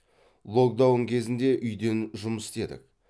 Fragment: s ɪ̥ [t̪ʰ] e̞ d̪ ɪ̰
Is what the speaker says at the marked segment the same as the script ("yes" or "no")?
no